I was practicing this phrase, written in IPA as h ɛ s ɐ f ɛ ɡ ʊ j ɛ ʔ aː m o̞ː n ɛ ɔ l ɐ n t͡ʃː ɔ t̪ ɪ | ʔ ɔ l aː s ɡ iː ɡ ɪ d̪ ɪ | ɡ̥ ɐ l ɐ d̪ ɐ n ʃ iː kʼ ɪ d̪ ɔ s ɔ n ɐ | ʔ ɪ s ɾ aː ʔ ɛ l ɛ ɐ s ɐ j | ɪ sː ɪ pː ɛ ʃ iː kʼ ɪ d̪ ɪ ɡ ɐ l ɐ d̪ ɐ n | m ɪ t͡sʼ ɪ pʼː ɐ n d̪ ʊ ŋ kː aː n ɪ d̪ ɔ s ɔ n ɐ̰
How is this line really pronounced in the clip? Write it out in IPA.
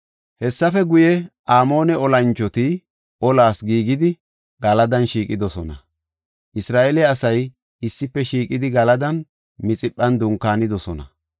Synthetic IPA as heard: h ɛ sː ɐ f ɛ ɡ ʊ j ɛ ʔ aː m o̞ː n ɛ ɔ l ɐ n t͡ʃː ɔ t̪ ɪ | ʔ ɔ l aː s ɡ iː ɡ ɪ d̪ ɪ | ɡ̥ ɐ l ɐ d̪ ɐ n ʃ iː kʼ ɪ d̪ ɔ s ɔ n ɐ | ʔ ɪ s ɾ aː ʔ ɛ l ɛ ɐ s ɐ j | ɪ sː ɪ pː ɛ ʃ iː kʼ ɪ d̪ ɪ ɡ ɐ l ɐ d̪ ɐ n | m ɪ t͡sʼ ɪ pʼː ɐ n d̪ ʊ ŋ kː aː n ɪ d̪ ɔ s ɔ n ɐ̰

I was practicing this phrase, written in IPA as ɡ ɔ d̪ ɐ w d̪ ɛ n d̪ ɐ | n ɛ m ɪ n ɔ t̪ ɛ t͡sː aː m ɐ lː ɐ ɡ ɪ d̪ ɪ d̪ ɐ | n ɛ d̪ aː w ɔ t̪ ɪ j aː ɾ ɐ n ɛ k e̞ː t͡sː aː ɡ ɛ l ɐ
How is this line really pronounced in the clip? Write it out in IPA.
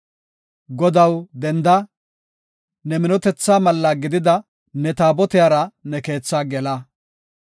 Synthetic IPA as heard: ɡ ɔ d̪ ɐ w d̪ ɛ n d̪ ɐ | n ɛ m ɪ n ɔ t̪ ɛ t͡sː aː m ɐ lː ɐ ɡ ɪ d̪ ɪ d̪ ɐ | n ɛ t̪ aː b ɔ t̪ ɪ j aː ɾ ɐ n ɛ k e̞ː t͡sː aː ɡ ɛ l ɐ

